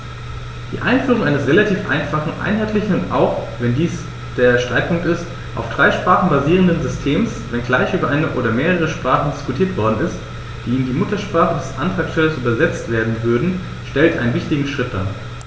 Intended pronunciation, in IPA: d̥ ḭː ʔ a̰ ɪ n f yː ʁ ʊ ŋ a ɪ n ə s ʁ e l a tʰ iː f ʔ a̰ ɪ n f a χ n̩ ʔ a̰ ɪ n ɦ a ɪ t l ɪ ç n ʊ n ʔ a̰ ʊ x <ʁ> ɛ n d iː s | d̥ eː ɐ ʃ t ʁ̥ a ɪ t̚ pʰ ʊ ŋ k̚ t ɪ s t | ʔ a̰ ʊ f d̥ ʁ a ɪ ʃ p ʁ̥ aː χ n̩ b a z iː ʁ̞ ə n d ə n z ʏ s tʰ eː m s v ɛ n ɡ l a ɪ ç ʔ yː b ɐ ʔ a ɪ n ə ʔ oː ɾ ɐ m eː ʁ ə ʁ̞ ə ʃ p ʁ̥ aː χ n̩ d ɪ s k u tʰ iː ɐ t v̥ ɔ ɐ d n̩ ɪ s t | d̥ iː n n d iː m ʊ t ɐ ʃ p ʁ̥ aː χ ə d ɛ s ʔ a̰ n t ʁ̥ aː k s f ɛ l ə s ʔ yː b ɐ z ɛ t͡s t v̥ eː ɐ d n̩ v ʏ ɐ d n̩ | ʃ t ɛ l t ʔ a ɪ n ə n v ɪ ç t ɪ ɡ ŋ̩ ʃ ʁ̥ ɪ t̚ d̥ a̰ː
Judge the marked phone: incorrect: v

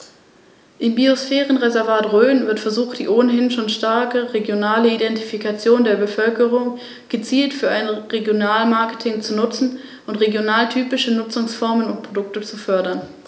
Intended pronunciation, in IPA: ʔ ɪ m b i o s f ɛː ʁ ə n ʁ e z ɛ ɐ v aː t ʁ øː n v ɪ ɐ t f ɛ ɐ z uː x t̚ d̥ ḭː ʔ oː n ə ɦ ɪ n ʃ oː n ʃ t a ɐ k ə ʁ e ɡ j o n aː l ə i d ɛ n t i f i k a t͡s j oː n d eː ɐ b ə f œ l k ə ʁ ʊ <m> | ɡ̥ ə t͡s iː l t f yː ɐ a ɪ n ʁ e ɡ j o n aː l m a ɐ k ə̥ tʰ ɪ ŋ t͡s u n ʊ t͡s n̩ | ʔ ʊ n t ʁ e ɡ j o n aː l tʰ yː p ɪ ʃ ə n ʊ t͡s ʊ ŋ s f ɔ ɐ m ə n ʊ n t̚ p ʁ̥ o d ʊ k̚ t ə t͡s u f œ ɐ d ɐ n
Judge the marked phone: incorrect: ŋ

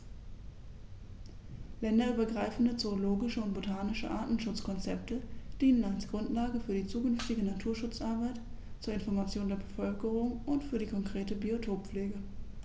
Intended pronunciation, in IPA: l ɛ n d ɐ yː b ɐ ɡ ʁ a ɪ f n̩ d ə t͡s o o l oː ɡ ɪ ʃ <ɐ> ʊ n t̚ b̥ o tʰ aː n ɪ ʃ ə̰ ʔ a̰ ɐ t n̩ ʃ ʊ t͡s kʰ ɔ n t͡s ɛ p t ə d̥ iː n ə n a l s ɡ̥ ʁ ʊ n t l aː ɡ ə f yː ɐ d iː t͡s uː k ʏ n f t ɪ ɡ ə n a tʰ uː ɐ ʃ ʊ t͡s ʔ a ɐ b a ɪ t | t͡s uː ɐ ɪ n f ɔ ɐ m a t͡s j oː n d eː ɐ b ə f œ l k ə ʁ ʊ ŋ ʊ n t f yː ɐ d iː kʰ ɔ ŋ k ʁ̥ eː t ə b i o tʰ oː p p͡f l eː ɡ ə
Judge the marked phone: incorrect: ə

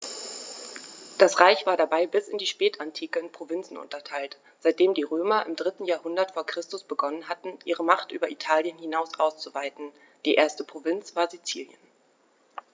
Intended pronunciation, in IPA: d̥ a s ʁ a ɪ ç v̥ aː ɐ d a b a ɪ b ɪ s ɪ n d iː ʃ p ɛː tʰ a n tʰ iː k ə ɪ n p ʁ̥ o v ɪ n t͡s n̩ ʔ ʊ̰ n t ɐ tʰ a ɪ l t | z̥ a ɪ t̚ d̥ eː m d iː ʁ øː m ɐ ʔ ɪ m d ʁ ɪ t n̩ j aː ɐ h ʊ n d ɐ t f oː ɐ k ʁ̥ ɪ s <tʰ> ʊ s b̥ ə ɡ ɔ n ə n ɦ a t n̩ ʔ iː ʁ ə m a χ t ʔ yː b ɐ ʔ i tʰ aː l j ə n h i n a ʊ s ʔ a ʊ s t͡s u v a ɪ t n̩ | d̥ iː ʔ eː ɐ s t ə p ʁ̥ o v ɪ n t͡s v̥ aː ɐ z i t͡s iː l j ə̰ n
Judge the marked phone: incorrect: t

